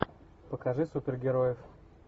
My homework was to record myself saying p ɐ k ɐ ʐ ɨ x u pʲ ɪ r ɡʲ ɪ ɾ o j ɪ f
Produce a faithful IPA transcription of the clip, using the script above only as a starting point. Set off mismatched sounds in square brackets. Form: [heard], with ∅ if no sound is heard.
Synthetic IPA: p [ə] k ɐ ʐ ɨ [s] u pʲ ɪ r ɡʲ ɪ ɾ o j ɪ f